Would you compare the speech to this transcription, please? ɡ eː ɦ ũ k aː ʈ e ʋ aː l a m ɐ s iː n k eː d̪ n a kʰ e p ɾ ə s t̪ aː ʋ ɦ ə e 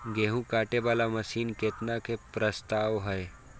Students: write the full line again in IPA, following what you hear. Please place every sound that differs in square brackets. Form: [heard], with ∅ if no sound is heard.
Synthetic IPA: ɡ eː ɦ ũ k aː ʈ e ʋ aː l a m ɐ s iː n k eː [t̪] n a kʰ e p ɾ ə s t̪ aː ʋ ɦ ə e

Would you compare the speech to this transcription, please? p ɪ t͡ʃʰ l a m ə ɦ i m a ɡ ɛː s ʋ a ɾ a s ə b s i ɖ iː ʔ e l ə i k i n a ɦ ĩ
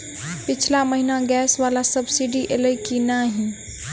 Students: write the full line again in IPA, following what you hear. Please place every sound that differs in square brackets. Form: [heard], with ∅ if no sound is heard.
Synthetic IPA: p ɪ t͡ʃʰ l a m ə ɦ i [n] a ɡ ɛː s ʋ a [l] a s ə b s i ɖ [i] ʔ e l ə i k i n a ɦ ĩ

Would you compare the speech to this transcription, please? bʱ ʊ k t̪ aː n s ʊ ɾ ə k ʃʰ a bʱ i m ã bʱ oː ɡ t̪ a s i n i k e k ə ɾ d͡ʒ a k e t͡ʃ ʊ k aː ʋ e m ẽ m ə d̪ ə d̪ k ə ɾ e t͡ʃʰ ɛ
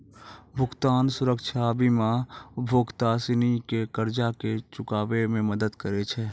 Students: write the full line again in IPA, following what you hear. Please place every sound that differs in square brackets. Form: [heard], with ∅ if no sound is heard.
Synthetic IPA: bʱ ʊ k t̪ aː n s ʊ ɾ ə k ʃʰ a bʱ i m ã bʱ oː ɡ t̪ a s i n i k e k ə ɾ d͡ʒ a k e t͡ʃ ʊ k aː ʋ e m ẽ m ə d̪ ə d̪ k ə ɾ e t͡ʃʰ ɛ

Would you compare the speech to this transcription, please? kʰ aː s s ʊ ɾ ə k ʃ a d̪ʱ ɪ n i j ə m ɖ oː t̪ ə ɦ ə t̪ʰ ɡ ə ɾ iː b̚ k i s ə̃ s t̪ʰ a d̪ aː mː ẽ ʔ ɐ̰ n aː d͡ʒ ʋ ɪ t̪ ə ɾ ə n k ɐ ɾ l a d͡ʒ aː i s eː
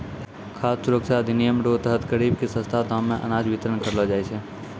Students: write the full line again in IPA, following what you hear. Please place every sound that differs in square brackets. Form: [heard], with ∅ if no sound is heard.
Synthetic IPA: kʰ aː s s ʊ ɾ ə k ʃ a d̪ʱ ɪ n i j ə m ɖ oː t̪ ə ɦ ə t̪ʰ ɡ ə ɾ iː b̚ k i s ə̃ s t̪ʰ a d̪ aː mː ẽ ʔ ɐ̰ n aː d͡ʒ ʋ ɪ t̪ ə ɾ ə n k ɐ ɾ l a d͡ʒ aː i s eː

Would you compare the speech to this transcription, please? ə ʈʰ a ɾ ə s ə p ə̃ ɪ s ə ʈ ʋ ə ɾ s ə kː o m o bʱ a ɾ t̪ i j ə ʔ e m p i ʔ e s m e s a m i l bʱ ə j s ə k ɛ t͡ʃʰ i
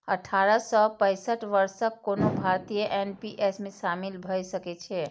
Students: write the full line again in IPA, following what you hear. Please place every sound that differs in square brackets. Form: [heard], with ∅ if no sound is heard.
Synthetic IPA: ə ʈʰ a ɾ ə s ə p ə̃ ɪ s ə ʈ ʋ ə ɾ s ə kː o [n] o bʱ a ɾ t̪ i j ə ʔ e [n] p i ʔ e s m e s a m i l bʱ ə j s ə k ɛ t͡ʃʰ [ɛ]

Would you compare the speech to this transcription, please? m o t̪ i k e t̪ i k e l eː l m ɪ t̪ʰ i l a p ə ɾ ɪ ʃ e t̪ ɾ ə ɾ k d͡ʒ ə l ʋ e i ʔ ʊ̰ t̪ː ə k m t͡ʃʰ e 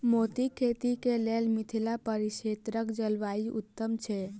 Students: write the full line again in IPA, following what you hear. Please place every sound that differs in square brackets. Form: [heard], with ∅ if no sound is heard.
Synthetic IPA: m o t̪ i [kʰ] e t̪ i k e l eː l m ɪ t̪ʰ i l a p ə ɾ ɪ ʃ e t̪ ɾ ə [∅] k d͡ʒ ə l ʋ [a] i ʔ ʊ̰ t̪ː ə [∅] m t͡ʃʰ e

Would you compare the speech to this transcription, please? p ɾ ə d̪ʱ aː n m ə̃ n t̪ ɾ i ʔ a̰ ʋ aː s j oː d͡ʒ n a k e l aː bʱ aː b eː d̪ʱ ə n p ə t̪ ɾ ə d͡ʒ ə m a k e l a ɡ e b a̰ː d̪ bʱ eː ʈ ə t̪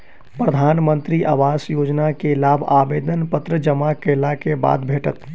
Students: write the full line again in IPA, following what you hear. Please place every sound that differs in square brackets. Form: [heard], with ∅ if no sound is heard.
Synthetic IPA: p ɾ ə d̪ʱ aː n m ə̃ n t̪ ɾ i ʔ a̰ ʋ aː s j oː d͡ʒ n a k e l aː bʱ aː b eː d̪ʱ ə n p ə t̪ ɾ ə d͡ʒ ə m a k e l a [k] e b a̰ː d̪ bʱ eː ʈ ə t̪

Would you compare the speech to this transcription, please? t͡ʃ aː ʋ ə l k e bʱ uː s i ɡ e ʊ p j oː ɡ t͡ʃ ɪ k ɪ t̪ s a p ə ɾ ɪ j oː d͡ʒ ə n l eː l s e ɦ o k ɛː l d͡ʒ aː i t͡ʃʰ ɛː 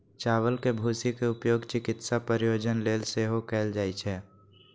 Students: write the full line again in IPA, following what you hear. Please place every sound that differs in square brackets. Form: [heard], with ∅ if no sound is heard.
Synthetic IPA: t͡ʃ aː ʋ ə l k e bʱ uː s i [k] e ʊ p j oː ɡ t͡ʃ ɪ k ɪ t̪ s a p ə ɾ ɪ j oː d͡ʒ ə n l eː l s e ɦ o k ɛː l d͡ʒ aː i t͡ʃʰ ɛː

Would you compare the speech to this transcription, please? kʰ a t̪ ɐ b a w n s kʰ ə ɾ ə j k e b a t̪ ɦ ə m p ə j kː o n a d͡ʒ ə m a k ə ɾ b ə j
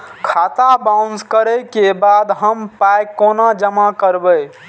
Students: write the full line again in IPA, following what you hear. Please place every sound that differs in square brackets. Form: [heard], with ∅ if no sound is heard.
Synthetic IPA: kʰ a t̪ [a] b a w n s [k] ə ɾ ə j k e b a [d̪] ɦ ə m p [a] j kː o n a d͡ʒ ə m a k ə ɾ b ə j

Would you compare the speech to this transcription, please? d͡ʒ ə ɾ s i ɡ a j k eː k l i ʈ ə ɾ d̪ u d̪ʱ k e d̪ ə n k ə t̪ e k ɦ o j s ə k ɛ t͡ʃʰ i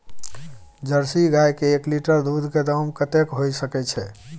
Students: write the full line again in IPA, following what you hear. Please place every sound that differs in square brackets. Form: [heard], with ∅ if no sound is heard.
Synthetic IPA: d͡ʒ ə ɾ s i ɡ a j k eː k l i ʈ ə ɾ d̪ u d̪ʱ k e d̪ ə [m] k ə t̪ e k ɦ o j s ə k ɛ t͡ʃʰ [ɛ]

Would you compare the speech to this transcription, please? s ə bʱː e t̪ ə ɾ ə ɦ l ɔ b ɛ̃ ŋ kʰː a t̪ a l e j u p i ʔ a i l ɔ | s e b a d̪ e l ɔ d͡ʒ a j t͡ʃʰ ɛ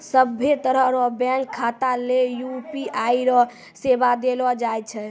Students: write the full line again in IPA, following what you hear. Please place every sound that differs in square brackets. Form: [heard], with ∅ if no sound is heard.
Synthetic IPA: s ə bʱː e t̪ ə ɾ ə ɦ [ɾ] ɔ b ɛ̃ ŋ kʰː a t̪ a l e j u p i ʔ a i [ɾ] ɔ | s e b a d̪ e l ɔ d͡ʒ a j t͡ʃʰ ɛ

